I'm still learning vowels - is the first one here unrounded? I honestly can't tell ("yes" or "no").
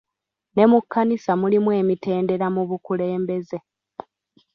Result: yes